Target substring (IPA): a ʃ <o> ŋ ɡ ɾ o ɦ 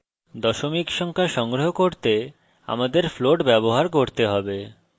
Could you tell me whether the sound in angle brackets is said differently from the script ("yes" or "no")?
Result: yes